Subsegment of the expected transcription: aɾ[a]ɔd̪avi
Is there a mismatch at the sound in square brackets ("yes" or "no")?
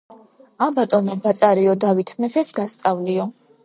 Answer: yes